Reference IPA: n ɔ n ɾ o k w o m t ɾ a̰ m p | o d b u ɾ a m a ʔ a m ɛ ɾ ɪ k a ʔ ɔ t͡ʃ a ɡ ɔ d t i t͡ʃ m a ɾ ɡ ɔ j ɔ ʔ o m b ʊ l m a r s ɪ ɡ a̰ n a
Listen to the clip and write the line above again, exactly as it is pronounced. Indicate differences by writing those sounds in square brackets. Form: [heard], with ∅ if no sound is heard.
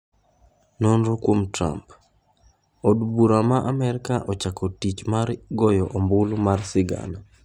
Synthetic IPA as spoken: n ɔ n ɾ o k w o m t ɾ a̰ m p | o d b u ɾ a m a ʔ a m ɛ ɾ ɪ k a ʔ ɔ t͡ʃ a [k] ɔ [∅] t i t͡ʃ m a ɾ ɡ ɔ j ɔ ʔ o m b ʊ l m a r s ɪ ɡ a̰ n a